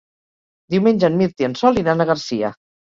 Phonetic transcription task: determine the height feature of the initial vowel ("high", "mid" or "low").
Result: high